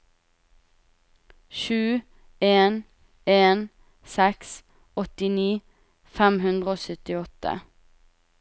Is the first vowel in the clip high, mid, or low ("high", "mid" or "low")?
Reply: high